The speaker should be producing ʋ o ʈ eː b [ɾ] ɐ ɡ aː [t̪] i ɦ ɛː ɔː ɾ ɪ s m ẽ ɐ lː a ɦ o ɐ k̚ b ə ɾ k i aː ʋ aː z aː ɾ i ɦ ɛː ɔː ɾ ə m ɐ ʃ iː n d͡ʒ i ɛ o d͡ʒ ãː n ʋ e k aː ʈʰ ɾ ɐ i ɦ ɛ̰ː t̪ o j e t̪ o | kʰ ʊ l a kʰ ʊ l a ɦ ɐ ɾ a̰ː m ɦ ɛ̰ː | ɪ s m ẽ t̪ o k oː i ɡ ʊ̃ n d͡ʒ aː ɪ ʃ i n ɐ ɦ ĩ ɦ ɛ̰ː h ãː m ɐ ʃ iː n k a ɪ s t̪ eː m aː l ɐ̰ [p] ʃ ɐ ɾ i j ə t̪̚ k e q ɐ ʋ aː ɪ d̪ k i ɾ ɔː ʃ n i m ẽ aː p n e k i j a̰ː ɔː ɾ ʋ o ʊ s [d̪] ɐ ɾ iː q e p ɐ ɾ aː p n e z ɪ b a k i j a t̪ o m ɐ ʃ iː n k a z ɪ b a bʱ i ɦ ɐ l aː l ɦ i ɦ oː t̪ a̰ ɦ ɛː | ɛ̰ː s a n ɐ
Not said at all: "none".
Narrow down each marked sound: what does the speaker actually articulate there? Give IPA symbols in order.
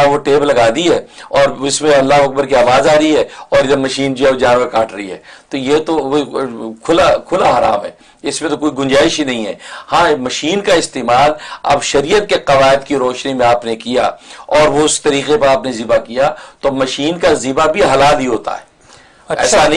l, d̪, b, t̪

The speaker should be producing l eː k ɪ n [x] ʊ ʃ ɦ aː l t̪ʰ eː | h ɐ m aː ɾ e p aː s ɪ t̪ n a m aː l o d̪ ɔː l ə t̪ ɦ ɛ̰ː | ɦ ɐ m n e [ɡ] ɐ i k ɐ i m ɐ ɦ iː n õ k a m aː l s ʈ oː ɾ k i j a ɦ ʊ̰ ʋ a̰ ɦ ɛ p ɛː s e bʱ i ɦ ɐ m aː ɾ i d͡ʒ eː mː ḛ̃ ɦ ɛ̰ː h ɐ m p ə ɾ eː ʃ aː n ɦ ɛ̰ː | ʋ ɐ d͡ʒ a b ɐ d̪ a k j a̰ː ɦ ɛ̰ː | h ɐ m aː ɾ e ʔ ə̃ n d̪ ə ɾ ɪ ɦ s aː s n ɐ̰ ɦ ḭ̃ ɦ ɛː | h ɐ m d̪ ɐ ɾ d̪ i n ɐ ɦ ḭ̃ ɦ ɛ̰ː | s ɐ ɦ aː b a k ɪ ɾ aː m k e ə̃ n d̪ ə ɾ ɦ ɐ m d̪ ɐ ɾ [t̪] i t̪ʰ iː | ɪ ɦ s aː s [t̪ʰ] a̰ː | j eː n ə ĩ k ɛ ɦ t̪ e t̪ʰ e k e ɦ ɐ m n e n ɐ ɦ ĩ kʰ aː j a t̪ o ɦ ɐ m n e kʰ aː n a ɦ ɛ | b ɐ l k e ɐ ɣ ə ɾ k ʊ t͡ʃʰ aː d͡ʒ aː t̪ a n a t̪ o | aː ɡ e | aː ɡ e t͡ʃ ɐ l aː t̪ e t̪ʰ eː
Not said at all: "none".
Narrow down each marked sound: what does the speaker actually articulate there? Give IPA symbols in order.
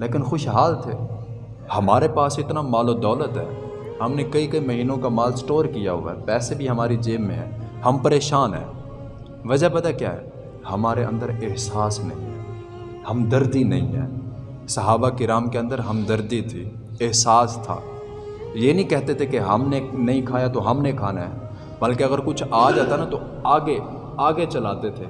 x, k, d̪, t̪ʰ

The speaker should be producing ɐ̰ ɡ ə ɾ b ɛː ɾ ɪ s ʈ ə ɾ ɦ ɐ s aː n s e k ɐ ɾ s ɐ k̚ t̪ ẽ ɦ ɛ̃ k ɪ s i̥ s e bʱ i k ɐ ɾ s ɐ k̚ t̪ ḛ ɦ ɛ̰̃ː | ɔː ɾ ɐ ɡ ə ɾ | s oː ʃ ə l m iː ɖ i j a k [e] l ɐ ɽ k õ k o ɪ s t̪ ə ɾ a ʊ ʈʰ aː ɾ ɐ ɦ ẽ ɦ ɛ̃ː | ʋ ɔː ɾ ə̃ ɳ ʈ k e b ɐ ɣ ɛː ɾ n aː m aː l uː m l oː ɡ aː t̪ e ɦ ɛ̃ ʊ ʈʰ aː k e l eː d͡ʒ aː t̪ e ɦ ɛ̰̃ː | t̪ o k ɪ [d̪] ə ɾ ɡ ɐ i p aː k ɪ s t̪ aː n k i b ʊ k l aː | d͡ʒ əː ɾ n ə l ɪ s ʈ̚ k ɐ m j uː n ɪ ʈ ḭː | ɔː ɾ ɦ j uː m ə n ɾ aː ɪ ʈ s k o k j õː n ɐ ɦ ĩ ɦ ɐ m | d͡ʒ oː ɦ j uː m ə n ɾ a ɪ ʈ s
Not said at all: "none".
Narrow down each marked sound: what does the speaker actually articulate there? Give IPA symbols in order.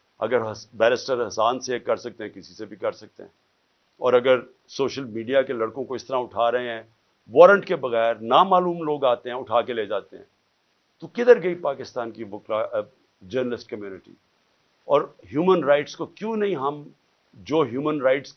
e, d̪

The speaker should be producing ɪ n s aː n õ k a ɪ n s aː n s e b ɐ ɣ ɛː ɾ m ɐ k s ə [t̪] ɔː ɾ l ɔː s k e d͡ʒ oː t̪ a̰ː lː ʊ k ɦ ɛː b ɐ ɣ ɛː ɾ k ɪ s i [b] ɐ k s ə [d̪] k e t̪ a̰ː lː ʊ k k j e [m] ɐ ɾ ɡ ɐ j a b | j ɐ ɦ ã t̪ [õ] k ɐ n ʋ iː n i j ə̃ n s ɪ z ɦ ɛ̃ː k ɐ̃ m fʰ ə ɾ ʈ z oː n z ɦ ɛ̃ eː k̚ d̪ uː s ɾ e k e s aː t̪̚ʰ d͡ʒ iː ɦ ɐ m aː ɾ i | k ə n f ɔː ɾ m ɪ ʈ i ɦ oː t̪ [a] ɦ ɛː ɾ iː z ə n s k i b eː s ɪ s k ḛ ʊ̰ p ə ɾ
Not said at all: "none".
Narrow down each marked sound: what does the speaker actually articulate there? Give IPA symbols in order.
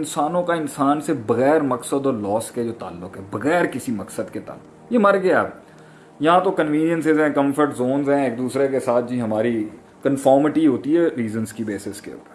d̪, m, d̪, m, o, i

